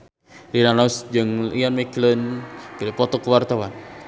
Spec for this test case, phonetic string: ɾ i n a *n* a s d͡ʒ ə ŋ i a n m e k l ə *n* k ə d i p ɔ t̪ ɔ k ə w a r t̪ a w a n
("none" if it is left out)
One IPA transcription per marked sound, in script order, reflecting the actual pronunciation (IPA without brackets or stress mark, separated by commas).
n, n